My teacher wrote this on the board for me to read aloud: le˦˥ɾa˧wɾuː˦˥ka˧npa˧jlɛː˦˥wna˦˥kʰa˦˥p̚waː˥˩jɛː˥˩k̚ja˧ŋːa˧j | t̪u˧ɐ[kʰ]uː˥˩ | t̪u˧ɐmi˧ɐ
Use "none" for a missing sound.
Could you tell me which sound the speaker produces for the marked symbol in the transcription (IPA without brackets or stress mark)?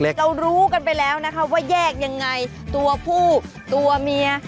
pʰ